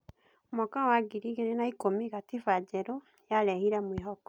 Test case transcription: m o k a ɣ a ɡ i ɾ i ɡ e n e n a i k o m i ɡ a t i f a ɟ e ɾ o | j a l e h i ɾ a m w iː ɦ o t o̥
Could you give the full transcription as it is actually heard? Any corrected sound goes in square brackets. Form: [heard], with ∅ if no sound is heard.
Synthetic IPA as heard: m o k a [w] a ɡ i ɾ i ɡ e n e n a i k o m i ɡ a t i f a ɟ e ɾ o | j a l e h i ɾ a m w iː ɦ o [k] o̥